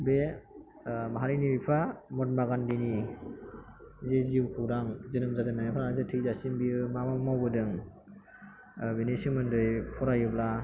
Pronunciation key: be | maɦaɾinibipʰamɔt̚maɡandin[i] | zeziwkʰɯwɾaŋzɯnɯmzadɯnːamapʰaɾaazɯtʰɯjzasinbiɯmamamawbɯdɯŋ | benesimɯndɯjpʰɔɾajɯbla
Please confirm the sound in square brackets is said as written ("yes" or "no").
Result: yes